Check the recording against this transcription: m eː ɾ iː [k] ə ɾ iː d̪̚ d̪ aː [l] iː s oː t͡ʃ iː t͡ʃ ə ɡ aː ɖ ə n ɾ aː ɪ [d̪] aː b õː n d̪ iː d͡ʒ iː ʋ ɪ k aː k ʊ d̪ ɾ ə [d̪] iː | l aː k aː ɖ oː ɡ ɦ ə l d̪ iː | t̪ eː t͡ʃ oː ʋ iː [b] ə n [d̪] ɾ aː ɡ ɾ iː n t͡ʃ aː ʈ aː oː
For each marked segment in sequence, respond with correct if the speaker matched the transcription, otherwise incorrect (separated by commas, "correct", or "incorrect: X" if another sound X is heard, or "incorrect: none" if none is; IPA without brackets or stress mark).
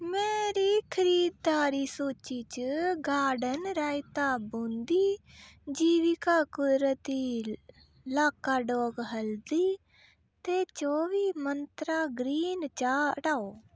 incorrect: kʰ, incorrect: ɾ, incorrect: t̪, incorrect: t̪, incorrect: m, incorrect: t̪